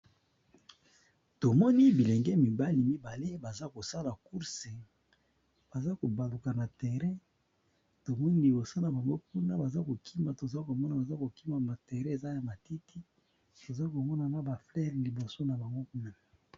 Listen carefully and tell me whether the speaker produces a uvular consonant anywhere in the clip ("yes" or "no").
yes